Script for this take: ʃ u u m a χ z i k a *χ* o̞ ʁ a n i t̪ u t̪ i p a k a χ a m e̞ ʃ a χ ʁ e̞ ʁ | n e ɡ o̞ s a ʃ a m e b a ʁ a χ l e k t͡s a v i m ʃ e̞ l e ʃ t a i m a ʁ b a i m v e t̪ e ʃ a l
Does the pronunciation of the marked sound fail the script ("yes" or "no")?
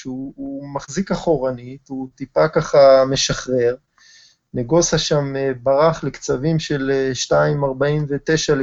no